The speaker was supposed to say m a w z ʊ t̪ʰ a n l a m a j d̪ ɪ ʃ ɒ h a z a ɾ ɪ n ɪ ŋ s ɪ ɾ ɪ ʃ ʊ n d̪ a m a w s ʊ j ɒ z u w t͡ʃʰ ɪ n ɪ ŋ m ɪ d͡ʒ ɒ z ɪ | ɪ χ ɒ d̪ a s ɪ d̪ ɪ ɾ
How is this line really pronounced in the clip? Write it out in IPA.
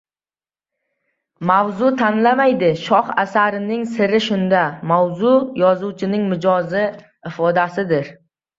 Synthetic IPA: m a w z ʊ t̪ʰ a n l a m a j d̪ ɪ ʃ ɒ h a s a ɾ ɪ n ɪ ŋ s ɪ ɾ ɪ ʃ ʊ n d̪ a m a w z ʊ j ɒ z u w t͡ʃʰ ɪ n ɪ ŋ m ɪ d͡ʒ ɒ z ɪ | ɪ f ɒ d̪ a s ɪ d̪ ɪ ɾ